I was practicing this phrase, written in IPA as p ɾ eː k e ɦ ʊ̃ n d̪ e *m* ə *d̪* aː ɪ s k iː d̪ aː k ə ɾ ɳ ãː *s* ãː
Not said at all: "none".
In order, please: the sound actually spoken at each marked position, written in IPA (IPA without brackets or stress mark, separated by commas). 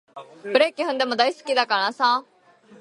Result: m, d̪, s